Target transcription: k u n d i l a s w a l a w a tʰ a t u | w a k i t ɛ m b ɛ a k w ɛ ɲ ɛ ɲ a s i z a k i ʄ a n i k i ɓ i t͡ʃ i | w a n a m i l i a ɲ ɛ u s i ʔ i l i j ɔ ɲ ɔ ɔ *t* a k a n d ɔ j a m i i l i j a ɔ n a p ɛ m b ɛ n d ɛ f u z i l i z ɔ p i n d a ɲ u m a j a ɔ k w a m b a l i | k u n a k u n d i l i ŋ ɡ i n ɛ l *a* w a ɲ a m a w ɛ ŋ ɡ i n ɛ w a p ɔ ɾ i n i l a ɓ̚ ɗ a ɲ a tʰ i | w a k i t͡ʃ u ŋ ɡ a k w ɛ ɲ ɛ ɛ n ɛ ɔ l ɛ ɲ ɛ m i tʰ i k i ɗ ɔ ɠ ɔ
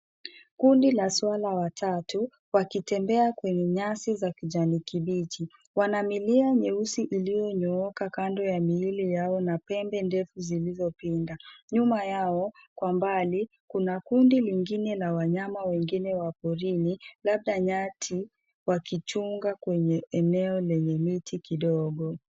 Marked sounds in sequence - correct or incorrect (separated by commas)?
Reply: incorrect, correct